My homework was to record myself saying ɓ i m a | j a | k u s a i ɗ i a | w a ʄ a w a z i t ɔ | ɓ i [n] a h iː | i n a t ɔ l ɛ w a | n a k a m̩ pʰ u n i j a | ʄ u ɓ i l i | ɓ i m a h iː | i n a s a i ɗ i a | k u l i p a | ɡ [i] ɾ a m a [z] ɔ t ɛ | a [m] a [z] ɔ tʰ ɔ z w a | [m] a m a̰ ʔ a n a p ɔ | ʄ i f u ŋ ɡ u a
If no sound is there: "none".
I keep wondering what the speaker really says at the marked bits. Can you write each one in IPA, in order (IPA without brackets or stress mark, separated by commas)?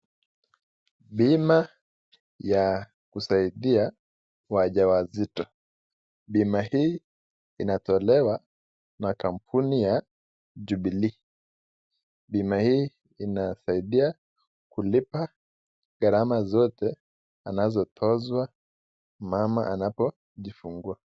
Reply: m, a, z, n, z, m